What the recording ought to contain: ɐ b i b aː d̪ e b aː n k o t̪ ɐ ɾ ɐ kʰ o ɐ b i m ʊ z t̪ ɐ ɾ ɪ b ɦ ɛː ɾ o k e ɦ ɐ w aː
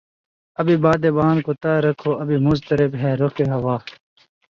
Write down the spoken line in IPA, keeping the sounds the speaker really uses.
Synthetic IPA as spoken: ɐ b i b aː d̪ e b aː n k o t̪ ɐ ɾ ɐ kʰ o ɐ b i m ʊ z t̪ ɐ ɾ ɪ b ɦ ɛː ɾ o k e ɦ ɐ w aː